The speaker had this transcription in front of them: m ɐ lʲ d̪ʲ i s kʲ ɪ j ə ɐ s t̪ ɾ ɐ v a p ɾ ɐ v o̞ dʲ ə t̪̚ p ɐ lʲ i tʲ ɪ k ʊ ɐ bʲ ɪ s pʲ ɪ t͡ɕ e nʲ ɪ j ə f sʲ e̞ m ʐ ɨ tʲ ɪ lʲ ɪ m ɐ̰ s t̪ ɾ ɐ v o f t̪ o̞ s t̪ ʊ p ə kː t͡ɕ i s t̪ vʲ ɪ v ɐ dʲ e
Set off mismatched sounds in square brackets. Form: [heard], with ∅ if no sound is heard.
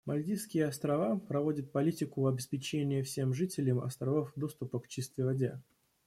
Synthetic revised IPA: m ɐ lʲ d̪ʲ i s kʲ ɪ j ə ɐ s t̪ ɾ ɐ v a p ɾ ɐ v o̞ dʲ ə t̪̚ p ɐ lʲ i tʲ ɪ k ʊ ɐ bʲ ɪ s pʲ ɪ t͡ɕ e nʲ ɪ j ə f sʲ e̞ m ʐ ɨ tʲ ɪ lʲ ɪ m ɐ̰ s t̪ ɾ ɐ v o f [d̪] o̞ s t̪ ʊ p ə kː t͡ɕ i s t̪ vʲ ɪ v ɐ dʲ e